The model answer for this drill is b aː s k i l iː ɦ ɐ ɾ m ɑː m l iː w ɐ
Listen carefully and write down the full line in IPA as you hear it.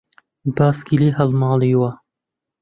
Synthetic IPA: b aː s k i l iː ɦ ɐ l m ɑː l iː w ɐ